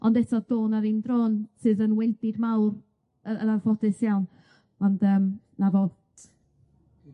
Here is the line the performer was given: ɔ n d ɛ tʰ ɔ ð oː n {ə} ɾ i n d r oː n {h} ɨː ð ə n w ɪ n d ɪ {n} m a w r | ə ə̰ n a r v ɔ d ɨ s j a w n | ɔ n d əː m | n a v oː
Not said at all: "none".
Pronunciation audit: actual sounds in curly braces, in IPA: a, s, d

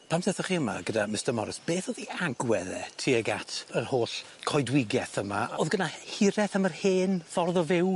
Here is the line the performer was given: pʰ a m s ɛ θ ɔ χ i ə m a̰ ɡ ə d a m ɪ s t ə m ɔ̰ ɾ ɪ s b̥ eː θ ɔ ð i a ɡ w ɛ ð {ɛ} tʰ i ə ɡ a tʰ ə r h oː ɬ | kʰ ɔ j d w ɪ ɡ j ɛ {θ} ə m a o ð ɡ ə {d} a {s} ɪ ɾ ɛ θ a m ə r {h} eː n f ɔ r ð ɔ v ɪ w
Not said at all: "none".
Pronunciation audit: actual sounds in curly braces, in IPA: ɛ, θ, n, h, h

